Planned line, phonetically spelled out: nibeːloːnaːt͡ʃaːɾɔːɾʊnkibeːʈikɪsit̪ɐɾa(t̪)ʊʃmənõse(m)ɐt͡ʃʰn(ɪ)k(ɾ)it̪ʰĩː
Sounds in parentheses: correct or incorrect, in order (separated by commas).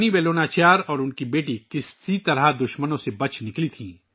incorrect, incorrect, correct, incorrect